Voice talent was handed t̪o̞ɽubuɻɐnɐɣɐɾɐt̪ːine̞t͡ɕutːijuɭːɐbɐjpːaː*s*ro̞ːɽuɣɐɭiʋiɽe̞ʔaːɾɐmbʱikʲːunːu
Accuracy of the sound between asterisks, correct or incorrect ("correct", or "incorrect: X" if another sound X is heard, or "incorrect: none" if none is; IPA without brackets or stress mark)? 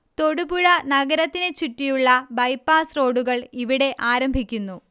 correct